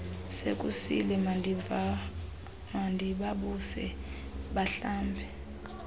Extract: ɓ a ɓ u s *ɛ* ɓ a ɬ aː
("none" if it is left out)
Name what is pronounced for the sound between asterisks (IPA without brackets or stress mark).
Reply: ɛ